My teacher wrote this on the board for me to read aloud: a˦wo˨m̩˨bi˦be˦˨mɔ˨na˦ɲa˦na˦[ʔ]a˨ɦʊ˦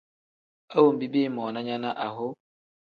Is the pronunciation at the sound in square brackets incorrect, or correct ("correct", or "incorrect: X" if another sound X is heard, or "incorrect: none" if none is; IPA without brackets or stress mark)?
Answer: correct